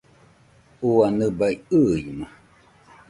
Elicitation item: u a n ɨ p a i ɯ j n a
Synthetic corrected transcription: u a n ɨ b a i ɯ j m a